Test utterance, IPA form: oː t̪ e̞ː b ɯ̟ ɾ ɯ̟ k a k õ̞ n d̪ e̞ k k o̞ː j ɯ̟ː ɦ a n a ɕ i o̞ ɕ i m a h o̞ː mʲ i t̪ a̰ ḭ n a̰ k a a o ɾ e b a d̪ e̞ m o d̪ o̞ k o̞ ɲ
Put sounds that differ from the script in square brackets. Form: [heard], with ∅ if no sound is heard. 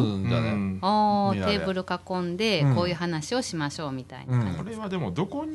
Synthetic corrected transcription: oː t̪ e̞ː b ɯ̟ ɾ ɯ̟ k a k õ̞ n d̪ e̞ k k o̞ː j ɯ̟ː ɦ a n a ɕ i o̞ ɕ i m a [ɕ] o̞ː mʲ i t̪ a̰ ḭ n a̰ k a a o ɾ e [β] a d̪ e̞ m o d̪ o̞ k o̞ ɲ